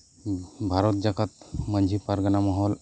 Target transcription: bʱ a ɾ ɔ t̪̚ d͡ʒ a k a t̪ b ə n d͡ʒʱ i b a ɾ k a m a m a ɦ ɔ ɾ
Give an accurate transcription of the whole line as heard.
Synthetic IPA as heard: bʱ a ɾ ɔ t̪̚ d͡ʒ a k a t̪ m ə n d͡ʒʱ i p a ɾ ɡ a n a m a ɦ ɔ l

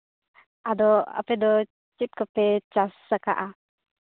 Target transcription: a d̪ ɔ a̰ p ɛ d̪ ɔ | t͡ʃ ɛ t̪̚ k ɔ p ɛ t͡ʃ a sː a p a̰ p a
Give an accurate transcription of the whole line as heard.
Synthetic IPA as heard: a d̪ ɔ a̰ p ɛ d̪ ɔ | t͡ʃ i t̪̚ k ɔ p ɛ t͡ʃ a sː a k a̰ ʔ a

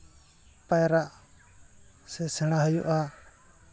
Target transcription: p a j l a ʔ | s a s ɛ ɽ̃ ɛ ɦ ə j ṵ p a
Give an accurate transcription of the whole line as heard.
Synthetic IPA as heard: p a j ɾ a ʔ | s ɛ s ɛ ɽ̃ a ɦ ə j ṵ ʔ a

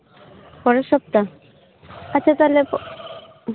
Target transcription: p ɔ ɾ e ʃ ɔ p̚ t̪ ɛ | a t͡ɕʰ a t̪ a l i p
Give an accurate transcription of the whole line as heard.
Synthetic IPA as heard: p ɔ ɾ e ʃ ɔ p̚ t̪ a | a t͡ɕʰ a t̪ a l e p

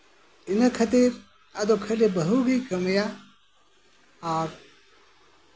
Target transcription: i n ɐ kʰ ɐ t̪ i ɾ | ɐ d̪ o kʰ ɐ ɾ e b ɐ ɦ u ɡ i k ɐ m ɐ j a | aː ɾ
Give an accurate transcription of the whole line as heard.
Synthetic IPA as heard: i n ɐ kʰ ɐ t̪ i ɾ | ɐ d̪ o kʰ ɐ l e b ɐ ɦ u ɡ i k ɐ m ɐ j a | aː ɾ

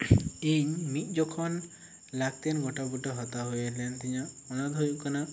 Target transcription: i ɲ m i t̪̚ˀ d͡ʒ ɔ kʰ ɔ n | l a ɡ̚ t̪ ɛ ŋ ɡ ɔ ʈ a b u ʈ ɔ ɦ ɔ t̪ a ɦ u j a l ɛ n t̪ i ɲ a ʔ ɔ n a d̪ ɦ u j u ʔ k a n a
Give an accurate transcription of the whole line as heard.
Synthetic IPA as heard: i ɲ m i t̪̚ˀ d͡ʒ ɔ kʰ ɔ n | l a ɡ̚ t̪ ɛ n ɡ ɔ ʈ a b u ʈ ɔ ɦ ɔ t̪ a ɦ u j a l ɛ n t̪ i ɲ a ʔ ɔ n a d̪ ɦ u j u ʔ k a n a

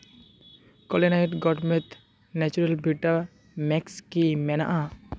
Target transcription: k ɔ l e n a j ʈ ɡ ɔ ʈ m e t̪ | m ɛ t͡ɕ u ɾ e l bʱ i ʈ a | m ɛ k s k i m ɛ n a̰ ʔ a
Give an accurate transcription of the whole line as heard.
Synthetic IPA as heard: k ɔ l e n a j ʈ ɡ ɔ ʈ m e t̪ | n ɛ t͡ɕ u ɾ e l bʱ i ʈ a | m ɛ k s k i m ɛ n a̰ ʔ a

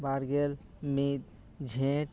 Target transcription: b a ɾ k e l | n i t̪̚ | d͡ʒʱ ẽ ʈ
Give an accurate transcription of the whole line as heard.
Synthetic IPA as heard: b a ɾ ɡ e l | m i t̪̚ | d͡ʒʱ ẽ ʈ

